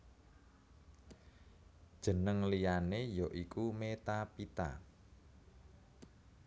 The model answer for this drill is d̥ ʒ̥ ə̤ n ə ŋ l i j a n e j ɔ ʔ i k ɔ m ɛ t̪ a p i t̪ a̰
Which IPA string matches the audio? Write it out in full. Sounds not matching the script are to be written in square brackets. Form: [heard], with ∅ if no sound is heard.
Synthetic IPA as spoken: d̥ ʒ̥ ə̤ n ə ŋ l i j a n e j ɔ ʔ i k [u] m [e] t̪ a p i t̪ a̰